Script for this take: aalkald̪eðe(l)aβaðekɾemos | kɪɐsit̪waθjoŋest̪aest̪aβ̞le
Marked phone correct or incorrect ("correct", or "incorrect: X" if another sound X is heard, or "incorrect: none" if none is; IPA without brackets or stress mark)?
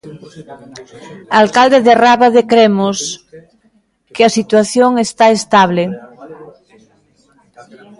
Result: incorrect: r